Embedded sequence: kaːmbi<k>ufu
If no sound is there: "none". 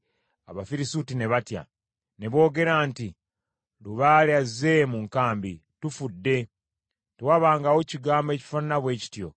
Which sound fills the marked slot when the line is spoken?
t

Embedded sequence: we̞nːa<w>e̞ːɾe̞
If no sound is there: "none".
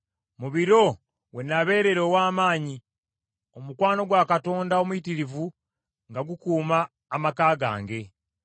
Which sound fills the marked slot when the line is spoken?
β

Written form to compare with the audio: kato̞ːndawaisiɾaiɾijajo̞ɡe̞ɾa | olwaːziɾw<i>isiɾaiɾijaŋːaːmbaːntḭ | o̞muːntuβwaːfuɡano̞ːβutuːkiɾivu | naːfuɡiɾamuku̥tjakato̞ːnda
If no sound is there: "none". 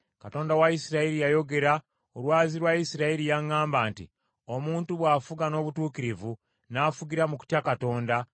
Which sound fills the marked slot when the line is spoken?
a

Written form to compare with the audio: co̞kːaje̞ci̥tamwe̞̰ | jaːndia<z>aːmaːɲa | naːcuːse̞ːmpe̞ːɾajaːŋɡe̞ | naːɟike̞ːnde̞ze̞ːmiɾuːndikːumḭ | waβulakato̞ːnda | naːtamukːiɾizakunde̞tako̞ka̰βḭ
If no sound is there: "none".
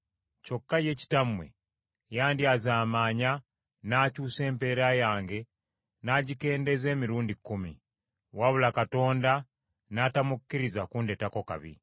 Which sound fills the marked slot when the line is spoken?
z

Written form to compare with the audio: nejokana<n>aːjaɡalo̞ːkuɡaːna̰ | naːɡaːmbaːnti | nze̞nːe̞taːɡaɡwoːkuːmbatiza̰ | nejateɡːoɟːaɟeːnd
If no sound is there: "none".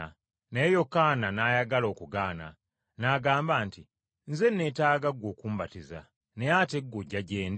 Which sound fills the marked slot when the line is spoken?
n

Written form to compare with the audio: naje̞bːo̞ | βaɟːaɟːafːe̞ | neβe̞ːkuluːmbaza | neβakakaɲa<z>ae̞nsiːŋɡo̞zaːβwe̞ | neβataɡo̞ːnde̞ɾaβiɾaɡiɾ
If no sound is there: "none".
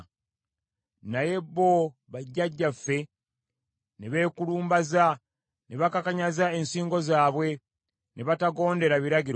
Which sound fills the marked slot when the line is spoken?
z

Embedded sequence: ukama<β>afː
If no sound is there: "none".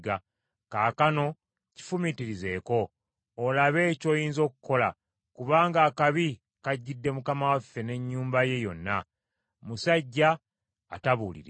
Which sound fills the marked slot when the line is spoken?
w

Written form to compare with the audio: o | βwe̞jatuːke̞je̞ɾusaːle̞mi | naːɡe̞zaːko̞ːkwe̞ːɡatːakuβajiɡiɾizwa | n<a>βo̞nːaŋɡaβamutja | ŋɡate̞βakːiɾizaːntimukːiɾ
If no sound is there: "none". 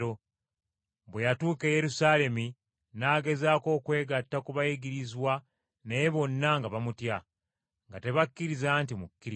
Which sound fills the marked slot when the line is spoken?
e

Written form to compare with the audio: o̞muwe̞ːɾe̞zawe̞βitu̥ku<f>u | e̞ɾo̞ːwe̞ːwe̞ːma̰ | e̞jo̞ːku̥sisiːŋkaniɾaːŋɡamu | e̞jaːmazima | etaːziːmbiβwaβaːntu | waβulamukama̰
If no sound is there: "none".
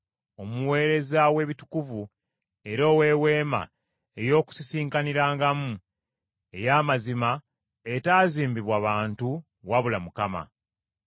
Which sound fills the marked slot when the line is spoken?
v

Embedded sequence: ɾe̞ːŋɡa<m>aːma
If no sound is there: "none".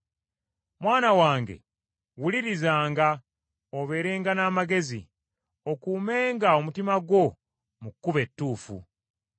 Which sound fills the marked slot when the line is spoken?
n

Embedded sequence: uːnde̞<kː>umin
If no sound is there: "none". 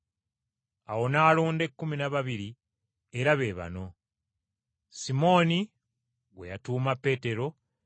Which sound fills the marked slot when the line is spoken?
kː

